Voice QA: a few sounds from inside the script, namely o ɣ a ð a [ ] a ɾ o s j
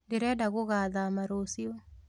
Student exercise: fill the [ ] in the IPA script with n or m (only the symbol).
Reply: m